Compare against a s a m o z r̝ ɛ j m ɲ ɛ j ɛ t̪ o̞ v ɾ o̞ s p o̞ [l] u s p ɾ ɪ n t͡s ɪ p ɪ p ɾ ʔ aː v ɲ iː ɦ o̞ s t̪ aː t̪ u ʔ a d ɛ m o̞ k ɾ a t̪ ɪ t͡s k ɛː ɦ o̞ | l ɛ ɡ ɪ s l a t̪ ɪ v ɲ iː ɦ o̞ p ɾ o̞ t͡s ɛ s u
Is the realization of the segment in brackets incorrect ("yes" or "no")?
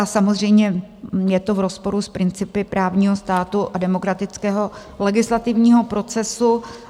yes